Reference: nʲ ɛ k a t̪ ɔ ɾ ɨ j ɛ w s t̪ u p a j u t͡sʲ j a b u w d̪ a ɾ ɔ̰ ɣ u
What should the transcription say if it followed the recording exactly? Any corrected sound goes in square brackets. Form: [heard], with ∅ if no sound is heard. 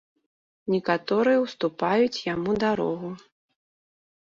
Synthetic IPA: nʲ ɛ k a t̪ ɔ ɾ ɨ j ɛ w s t̪ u p a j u t͡sʲ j a [m] u [∅] d̪ a ɾ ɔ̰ ɣ u

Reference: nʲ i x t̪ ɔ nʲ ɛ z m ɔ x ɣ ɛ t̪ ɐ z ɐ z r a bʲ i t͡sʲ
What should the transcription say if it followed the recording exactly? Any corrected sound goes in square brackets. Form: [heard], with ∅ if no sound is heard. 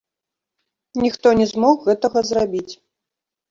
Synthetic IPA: nʲ i x t̪ ɔ nʲ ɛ z m ɔ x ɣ ɛ t̪ ɐ [ɣ] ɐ z r a bʲ i t͡sʲ

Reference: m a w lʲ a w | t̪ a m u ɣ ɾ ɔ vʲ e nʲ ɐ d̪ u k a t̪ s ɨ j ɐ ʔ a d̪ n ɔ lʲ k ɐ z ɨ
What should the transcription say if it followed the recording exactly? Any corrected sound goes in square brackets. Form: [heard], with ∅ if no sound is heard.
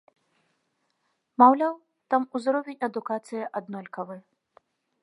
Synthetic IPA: m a w lʲ a w | t̪ a m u [z] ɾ ɔ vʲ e nʲ ɐ d̪ u k a t̪ s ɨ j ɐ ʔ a d̪ n ɔ lʲ k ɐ [v] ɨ

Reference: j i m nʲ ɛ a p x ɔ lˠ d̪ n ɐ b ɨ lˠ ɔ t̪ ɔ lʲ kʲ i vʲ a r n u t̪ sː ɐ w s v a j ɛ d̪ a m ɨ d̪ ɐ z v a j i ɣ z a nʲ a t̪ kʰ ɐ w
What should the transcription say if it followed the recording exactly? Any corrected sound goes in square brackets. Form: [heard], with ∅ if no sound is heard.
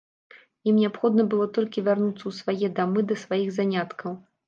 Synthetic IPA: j i m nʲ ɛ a p x ɔ [∅] d̪ n ɐ b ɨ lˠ ɔ t̪ ɔ lʲ kʲ i vʲ a r n u t̪ sː ɐ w s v a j ɛ d̪ a m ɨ d̪ ɐ [s] v a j i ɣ z a nʲ a t̪ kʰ ɐ w

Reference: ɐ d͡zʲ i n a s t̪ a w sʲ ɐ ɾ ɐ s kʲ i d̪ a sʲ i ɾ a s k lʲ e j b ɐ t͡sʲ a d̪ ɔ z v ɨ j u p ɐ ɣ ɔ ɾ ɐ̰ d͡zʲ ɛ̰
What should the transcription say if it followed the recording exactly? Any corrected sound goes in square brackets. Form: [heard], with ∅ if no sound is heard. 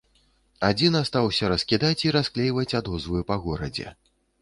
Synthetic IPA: [a] d͡zʲ i n a s t̪ a w sʲ ɐ ɾ ɐ s kʲ i d̪ a [t͡sʲ] i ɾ a s k lʲ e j [v] ɐ t͡sʲ a d̪ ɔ z v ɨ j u p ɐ ɣ ɔ ɾ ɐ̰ d͡zʲ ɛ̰

